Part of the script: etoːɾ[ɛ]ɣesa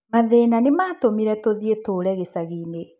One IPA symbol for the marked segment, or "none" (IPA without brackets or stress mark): ɛ